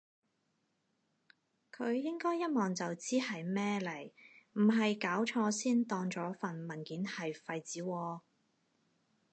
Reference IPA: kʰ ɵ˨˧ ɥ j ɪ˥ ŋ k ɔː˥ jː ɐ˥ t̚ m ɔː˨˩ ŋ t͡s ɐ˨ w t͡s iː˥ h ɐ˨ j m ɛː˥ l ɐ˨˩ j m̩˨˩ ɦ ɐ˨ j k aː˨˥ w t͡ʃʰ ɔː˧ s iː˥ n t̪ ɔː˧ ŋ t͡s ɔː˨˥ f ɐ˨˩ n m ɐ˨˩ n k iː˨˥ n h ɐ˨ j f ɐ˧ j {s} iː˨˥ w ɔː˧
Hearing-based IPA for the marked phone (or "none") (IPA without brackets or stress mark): t͡s